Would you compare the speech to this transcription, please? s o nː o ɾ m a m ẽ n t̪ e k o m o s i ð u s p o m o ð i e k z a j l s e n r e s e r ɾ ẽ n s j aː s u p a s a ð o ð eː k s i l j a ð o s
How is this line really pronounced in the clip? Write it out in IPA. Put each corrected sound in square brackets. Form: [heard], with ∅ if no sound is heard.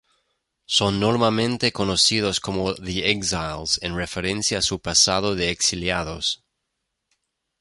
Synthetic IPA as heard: s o nː o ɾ m a m ẽ n t̪ e k o [n] o s i ð [o] s [k] o m o ð i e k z a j l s e n r e [f] e [∅] ɾ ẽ n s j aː s u p a s a ð o ð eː k s i l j a ð o s